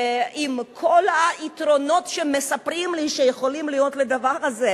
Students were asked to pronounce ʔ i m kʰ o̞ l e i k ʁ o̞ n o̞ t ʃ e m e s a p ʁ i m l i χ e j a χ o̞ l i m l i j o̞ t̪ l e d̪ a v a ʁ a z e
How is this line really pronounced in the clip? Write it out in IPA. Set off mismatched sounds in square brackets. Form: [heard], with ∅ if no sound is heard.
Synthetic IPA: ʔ i m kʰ o̞ l [a] i [t] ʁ o̞ n o̞ t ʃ e m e s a p ʁ i m l i [ʃ] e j [e] χ o̞ l i m l i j o̞ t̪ l e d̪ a v a ʁ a z e